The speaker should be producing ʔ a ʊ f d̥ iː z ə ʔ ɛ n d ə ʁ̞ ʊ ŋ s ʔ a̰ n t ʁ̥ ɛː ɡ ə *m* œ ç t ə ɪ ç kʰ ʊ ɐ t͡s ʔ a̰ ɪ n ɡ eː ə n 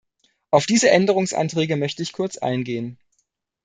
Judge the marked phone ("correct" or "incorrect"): correct